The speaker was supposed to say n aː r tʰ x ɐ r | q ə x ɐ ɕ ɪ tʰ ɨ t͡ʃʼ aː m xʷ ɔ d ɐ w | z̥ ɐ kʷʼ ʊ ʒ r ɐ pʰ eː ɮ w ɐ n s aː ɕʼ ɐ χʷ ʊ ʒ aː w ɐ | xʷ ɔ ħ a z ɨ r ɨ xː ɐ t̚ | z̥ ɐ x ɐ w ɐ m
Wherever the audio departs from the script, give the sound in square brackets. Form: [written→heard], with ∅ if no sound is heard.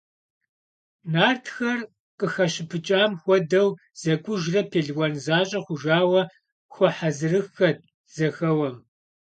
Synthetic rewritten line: n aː r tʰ x ɐ r | q ə x ɐ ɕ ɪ [tʰ→pʰ] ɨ t͡ʃʼ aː m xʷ ɔ d ɐ w | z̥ ɐ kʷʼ ʊ ʒ r ɐ pʰ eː ɮ w ɐ n [s→z] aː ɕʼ ɐ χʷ ʊ ʒ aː w ɐ | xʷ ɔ ħ a z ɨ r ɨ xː ɐ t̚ | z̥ ɐ x ɐ w ɐ m